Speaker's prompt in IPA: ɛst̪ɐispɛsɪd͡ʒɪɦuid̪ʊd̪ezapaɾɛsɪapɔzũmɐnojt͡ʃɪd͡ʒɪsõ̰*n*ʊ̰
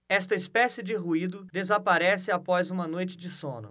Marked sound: correct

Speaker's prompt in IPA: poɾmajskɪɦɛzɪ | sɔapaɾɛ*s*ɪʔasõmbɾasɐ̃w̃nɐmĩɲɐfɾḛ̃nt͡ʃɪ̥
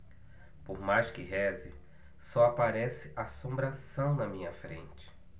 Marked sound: correct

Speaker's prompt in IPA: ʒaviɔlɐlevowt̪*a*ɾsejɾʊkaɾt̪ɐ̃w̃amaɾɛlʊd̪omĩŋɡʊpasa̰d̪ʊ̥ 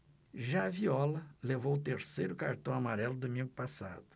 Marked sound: incorrect: e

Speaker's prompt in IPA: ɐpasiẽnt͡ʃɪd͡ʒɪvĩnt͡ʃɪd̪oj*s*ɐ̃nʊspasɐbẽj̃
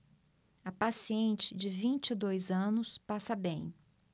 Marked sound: incorrect: z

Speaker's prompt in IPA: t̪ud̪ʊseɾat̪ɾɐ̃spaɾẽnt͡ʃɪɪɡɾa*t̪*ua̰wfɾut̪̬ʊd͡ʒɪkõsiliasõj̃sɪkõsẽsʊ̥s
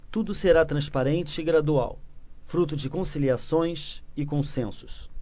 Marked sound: incorrect: d̪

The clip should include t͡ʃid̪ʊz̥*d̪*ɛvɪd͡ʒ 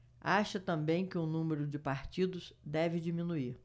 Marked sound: correct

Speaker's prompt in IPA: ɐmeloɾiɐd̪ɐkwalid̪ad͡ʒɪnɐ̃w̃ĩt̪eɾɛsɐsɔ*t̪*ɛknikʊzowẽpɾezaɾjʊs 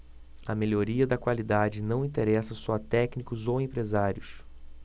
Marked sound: correct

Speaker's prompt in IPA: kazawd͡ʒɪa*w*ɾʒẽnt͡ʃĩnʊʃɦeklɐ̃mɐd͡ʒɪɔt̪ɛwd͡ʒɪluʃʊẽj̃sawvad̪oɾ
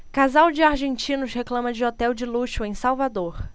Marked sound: incorrect: none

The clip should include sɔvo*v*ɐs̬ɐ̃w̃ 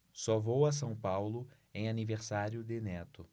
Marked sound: incorrect: w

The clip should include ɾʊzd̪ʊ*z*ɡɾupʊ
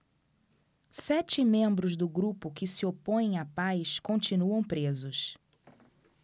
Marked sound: incorrect: none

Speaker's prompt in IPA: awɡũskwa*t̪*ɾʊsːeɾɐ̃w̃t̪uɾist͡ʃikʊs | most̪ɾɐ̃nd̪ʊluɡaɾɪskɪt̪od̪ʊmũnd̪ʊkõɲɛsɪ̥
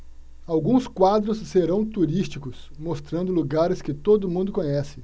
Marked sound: incorrect: d̪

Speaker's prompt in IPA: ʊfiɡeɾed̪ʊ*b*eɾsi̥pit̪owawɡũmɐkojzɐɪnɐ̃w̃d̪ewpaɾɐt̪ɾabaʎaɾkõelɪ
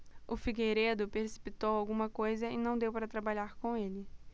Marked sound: incorrect: p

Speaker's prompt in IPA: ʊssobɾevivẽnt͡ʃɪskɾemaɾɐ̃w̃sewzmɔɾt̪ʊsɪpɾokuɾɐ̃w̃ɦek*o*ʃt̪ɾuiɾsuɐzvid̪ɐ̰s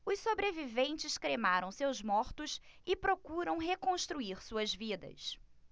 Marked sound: incorrect: õ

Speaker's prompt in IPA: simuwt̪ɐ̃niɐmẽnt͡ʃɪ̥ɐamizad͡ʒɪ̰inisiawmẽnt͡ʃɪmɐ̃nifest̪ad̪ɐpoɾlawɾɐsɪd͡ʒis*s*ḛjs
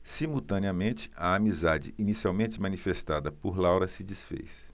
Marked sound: incorrect: f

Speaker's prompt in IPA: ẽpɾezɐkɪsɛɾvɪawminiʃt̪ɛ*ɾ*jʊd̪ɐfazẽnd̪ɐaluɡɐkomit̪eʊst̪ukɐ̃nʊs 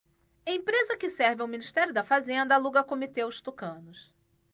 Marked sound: correct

